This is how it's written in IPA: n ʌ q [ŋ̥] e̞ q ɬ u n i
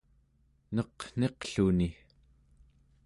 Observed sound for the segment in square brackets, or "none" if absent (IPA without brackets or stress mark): n̥